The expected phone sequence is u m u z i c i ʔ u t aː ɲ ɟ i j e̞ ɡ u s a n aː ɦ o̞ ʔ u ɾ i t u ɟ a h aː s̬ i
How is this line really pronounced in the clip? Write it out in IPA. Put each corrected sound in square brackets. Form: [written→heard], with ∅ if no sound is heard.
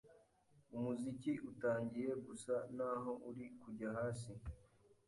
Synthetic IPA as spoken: u m u z i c i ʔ u t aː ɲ ɟ i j e̞ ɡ u s a n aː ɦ o̞ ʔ u ɾ i [t→k] u ɟ a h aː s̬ i